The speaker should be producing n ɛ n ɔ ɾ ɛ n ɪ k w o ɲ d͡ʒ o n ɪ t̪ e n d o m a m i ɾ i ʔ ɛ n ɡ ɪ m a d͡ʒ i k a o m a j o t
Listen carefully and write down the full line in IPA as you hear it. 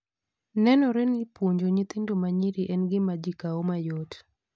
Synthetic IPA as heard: n ɛ n ɔ ɾ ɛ n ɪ p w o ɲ d͡ʒ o ɲ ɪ t̪ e n d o m a ɲ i ɾ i ʔ ɛ n ɡ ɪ m a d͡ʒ i k a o m a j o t